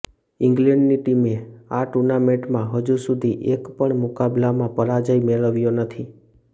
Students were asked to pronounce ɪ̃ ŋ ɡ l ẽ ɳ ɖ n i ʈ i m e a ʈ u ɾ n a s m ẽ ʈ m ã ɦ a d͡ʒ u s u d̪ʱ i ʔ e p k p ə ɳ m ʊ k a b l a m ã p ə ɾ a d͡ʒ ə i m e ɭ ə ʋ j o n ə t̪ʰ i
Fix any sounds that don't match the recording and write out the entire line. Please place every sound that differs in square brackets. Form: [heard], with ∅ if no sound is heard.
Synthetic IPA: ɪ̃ ŋ ɡ l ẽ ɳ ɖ n i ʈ i m e a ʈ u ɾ n a [∅] m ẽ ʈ m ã ɦ [ə] d͡ʒ u s u d̪ʱ i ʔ e [∅] k p ə ɳ m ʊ k a b l a m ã p ə ɾ a d͡ʒ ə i m e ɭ ə ʋ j o n ə t̪ʰ i